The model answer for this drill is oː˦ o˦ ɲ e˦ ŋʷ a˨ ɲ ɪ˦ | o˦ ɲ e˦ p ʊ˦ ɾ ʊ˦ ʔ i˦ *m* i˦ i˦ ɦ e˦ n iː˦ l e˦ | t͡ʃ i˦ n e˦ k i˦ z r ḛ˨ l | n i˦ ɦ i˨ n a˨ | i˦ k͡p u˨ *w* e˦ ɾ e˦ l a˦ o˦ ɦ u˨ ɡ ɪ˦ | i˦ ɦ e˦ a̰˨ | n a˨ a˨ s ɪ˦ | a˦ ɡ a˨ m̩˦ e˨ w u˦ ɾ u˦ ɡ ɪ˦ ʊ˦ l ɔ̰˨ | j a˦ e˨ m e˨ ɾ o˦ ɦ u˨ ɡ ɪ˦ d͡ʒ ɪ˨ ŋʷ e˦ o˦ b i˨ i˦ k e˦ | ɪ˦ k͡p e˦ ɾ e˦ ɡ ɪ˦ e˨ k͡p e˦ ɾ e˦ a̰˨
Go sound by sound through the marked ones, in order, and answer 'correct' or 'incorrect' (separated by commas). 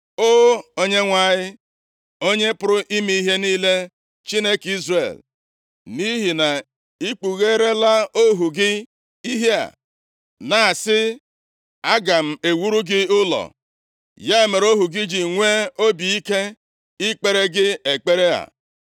correct, incorrect